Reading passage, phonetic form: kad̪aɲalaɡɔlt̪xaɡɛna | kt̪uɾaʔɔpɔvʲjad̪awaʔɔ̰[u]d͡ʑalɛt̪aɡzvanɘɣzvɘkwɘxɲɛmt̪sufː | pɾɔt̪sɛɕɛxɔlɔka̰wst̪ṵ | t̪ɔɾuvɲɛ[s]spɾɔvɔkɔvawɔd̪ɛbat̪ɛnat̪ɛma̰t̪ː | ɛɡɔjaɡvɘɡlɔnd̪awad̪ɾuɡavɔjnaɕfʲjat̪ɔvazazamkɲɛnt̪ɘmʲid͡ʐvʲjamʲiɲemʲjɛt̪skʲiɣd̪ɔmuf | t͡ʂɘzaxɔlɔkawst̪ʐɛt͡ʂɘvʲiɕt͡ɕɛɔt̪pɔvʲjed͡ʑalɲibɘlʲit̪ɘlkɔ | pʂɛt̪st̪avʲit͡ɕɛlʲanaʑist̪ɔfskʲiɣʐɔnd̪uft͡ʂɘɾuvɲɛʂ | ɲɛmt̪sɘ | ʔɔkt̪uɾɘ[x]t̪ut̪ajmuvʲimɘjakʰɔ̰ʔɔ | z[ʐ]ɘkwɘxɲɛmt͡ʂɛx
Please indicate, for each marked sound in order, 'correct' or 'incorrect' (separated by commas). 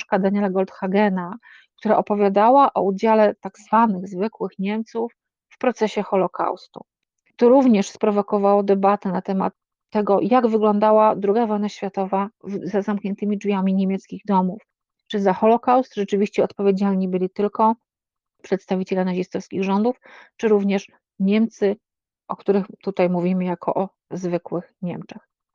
correct, incorrect, correct, incorrect